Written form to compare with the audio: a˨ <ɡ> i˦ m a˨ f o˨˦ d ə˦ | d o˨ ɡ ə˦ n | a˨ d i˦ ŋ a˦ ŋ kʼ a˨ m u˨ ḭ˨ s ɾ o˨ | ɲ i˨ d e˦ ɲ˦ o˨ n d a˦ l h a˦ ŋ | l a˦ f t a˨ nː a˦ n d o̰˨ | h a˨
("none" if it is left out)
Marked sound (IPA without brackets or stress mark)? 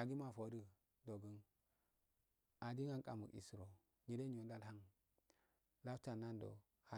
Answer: ɡ